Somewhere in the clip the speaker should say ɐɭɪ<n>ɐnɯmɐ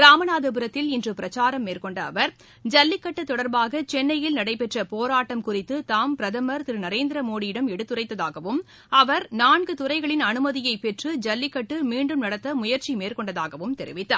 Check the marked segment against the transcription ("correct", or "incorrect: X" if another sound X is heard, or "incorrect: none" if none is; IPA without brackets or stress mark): correct